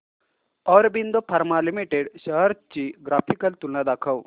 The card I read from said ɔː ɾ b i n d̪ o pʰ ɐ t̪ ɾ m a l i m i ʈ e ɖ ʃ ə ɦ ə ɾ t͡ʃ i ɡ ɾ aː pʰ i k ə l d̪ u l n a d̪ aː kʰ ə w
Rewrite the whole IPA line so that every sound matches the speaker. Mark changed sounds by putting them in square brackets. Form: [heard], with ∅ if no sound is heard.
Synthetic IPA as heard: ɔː ɾ b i n d̪ o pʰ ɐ [∅] ɾ m a l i m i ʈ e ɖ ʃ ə ɦ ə ɾ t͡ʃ i ɡ ɾ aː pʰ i k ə l [t̪] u l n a d̪ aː kʰ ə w